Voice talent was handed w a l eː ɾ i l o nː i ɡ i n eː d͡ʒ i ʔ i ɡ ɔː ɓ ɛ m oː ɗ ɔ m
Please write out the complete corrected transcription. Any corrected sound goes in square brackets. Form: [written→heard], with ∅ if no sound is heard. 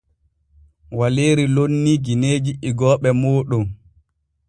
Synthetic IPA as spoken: w a l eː ɾ i l o nː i ɡ i n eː d͡ʒ i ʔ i ɡ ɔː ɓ ɛ m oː ɗ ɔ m